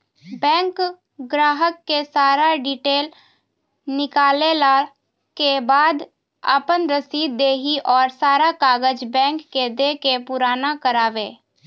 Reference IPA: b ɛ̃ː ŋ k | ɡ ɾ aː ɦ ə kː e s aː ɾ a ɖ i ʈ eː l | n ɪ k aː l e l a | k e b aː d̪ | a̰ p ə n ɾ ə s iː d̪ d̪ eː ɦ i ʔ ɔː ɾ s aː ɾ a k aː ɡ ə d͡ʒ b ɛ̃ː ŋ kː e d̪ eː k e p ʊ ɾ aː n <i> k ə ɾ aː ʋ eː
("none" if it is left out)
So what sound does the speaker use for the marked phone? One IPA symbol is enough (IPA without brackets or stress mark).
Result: a